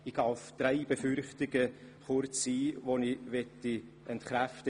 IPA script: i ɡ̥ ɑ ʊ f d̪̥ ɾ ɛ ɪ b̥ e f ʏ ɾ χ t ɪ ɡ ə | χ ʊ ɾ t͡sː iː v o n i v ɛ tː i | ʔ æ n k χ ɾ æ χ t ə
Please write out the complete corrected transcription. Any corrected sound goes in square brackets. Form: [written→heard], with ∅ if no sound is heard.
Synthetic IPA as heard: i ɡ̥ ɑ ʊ f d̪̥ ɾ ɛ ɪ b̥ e f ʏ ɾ χ t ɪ ɡ ə | χ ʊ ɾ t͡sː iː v o n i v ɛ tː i | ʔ [æ→ɛ] n [k→t] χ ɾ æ [χ→f] t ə

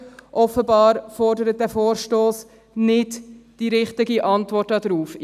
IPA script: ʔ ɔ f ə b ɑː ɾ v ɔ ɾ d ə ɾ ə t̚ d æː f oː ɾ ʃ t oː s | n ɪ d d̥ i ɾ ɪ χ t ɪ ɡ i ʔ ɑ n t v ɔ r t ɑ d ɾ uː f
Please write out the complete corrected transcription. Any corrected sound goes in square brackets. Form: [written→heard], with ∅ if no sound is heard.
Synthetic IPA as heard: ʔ ɔ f ə b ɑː ɾ [v→f] ɔ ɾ d ə ɾ ə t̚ d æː f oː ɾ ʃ t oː s | n ɪ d d̥ i ɾ ɪ χ t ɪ ɡ i ʔ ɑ n t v ɔ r t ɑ d ɾ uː f

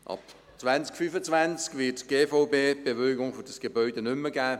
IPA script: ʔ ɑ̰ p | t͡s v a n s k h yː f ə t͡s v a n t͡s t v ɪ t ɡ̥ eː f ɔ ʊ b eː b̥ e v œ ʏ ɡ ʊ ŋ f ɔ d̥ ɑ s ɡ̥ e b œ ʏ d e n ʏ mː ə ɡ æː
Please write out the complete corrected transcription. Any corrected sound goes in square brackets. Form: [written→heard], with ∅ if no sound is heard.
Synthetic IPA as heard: ʔ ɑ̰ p | t͡s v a n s k [h→f] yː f ə t͡s v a n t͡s [t→k] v ɪ t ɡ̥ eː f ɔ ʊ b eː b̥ e v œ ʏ ɡ ʊ ŋ f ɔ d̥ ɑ s ɡ̥ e b œ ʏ d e n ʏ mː ə ɡ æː

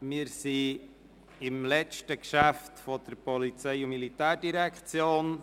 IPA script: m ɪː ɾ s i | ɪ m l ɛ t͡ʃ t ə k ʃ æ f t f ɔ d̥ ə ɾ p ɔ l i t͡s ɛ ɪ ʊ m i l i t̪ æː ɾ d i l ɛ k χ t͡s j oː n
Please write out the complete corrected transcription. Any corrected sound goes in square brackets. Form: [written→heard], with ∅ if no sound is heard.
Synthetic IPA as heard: m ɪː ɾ s i | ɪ m l ɛ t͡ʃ t ə k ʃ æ f t f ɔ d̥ ə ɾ p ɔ l i t͡s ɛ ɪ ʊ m i l i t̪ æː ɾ d i [l→ɾ] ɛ k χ t͡s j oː n

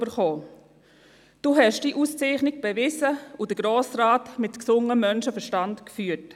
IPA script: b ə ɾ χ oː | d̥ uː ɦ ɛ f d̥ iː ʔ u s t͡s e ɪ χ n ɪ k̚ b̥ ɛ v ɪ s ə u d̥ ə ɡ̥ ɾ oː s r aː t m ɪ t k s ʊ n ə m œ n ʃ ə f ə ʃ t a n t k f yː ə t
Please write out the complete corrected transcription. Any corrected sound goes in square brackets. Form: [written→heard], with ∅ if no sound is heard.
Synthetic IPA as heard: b ə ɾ χ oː | d̥ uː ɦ ɛ [f→ʃ] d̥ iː ʔ u s t͡s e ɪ χ n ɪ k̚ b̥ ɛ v ɪ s ə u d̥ ə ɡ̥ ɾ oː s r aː t m ɪ t k s ʊ [n→ŋ] ə m œ n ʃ ə f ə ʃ t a n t k f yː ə t

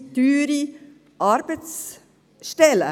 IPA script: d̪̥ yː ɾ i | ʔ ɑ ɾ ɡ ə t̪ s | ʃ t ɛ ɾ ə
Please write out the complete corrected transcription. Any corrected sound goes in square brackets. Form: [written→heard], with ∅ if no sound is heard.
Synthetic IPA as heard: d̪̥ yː ɾ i | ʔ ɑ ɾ [ɡ→b] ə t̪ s | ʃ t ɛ [ɾ→l] ə

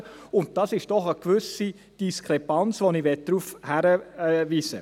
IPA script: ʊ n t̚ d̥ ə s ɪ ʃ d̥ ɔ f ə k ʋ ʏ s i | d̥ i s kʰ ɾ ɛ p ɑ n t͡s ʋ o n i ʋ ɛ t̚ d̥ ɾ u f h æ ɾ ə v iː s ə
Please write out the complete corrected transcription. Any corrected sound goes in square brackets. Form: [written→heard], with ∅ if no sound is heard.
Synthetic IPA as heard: ʊ n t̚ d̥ [ə→ɑ] s ɪ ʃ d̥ ɔ [f→χ] ə k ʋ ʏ s i | d̥ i s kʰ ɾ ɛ p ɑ n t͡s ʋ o n i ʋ ɛ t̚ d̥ ɾ u f h æ ɾ ə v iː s ə

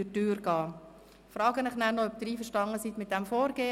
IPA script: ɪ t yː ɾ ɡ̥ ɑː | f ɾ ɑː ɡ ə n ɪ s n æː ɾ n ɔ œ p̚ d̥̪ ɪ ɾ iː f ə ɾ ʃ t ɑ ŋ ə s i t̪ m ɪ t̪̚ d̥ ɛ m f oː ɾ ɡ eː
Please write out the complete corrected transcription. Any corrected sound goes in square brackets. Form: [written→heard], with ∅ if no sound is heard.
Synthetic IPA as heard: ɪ t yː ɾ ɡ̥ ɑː | f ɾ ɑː ɡ ə n ɪ [s→χ] n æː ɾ n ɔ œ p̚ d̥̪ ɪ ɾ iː f ə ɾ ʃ t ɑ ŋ ə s i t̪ m ɪ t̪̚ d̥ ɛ m f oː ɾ ɡ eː

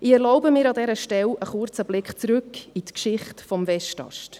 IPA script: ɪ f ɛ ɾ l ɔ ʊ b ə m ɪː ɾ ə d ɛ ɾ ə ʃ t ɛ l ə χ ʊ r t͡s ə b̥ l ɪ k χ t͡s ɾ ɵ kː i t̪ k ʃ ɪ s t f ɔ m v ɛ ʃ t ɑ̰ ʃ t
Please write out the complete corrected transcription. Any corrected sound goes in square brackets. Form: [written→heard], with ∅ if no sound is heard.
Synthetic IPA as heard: ɪ [f→∅] ɛ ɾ l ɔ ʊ b ə m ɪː ɾ [ə→ɑ] d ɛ ɾ ə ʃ t ɛ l ə χ ʊ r t͡s ə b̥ l ɪ k χ t͡s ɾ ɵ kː i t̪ k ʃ ɪ [s→χ] t f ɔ m v ɛ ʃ t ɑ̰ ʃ t

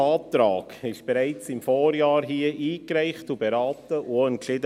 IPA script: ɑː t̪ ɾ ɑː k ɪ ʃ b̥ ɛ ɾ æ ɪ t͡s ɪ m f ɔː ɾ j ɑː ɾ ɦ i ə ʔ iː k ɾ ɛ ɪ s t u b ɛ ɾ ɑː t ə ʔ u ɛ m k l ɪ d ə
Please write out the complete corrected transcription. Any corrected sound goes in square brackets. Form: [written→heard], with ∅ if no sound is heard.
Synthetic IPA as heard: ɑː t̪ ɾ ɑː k ɪ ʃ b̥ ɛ ɾ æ ɪ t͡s ɪ m f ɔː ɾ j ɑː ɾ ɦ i ə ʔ iː k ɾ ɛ ɪ [s→χ] t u b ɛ ɾ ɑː t ə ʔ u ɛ [m→n] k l ɪ d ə

